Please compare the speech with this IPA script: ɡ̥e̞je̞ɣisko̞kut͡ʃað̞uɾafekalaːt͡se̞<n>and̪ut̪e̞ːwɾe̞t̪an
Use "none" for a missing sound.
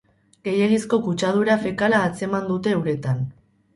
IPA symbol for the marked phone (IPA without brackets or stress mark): m